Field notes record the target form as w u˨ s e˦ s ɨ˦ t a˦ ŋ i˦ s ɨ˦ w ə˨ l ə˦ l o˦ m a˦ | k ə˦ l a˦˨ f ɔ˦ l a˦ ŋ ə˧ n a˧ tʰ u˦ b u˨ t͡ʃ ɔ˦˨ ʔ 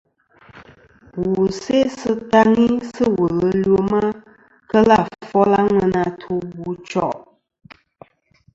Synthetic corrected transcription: w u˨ s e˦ s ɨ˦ t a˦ ŋ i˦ s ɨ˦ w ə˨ l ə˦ l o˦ m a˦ | k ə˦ l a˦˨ f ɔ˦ l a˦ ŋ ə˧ n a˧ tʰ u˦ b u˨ t͡ʃ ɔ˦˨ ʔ